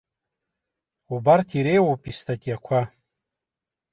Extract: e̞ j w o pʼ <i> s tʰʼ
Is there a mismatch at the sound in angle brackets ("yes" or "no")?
no